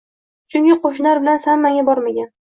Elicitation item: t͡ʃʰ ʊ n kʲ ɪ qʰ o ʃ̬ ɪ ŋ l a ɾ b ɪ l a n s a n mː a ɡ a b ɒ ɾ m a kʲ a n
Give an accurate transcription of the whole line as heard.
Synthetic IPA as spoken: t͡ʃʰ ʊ ŋ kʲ ɪ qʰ o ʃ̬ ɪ n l a ɾ b ɪ l a n s a n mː a ŋ a b ɒ ɾ m a ɡʲ a n